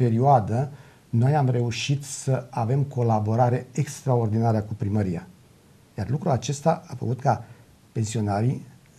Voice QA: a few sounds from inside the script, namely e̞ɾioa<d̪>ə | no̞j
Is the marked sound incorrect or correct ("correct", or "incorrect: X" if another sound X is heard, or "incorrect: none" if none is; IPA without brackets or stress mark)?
correct